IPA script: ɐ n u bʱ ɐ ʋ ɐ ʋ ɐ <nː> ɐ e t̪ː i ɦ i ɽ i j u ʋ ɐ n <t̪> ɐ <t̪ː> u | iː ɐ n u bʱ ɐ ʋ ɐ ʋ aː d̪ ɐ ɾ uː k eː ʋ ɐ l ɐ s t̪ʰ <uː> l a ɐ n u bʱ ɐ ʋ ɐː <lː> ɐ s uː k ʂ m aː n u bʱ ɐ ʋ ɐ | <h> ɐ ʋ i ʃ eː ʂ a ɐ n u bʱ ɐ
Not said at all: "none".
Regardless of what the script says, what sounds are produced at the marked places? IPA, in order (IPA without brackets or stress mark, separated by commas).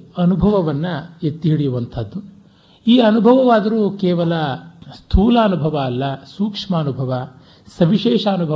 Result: nː, t̪ʰ, d̪ː, uː, lː, s